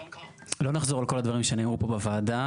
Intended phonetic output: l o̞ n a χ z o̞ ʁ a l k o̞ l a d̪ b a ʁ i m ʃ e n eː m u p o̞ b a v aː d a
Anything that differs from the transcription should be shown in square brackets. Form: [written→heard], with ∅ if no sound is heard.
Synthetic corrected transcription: l o̞ n a χ z o̞ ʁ a l k o̞ l a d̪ [b→v] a ʁ i m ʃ e n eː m u p o̞ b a v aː d a